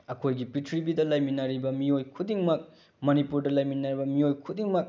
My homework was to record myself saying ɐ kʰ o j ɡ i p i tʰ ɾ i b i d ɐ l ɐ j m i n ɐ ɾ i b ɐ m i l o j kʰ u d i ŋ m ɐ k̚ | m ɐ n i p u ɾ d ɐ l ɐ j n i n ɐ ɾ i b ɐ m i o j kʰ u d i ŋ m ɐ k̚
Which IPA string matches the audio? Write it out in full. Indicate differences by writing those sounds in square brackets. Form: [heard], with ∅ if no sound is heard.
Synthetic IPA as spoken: ɐ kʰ o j ɡ i p i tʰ ɾ i b i d ɐ l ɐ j m i n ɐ ɾ i b ɐ m i [∅] o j kʰ u d i ŋ m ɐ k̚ | m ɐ n i p u ɾ d ɐ l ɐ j [m] i n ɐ ɾ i b ɐ m i o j kʰ u d i ŋ m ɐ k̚